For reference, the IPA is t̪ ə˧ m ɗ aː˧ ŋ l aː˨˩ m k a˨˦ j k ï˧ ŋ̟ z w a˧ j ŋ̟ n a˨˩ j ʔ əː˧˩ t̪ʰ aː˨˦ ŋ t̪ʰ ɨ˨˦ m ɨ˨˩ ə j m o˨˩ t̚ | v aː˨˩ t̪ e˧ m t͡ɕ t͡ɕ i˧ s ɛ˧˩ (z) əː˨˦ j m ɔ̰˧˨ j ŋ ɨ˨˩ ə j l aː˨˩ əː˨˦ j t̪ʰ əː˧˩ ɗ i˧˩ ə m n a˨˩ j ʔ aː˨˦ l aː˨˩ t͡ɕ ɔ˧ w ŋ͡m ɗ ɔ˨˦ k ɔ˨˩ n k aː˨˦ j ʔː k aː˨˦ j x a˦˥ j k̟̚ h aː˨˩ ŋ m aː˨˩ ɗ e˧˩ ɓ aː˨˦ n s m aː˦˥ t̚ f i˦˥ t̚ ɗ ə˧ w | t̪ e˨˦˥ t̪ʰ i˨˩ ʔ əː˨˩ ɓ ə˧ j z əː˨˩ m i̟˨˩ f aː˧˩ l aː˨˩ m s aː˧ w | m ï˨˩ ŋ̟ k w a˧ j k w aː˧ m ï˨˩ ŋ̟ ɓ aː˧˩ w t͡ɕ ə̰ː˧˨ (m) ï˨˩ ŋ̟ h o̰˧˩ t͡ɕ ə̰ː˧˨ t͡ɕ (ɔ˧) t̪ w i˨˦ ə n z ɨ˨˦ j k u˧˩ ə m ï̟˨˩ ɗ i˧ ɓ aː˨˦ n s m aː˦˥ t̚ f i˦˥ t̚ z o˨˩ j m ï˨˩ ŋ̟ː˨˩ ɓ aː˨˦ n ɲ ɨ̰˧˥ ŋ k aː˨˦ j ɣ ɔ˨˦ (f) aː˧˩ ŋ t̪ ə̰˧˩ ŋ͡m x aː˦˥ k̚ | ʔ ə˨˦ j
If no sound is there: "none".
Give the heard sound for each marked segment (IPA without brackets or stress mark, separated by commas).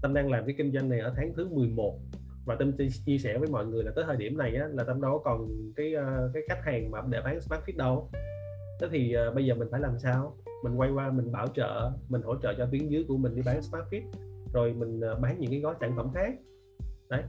v, m, ɔ˧, s